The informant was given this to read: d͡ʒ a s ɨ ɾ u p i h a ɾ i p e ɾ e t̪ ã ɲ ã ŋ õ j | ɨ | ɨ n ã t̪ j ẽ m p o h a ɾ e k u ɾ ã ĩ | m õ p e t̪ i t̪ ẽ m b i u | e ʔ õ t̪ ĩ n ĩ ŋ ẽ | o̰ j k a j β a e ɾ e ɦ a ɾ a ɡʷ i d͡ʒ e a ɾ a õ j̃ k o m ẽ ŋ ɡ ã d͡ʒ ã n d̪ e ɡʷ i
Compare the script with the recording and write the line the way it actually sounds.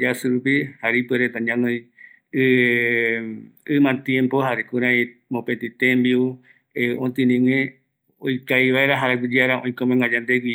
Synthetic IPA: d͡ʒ a s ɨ ɾ u p i h a ɾ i p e ɾ e t̪ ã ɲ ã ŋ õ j | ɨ | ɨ m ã t̪ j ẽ m p o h a ɾ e k u ɾ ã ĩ | m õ p e t̪ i t̪ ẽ m b i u | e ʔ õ t̪ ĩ n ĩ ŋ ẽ | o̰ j k a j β a e ɾ a ɦ a ɾ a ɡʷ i d͡ʒ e a ɾ a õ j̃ k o m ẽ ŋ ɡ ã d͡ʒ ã n d̪ e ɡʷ i